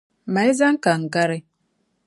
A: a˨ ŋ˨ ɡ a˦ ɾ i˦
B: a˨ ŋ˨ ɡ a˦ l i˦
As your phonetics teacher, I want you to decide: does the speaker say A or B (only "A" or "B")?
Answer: A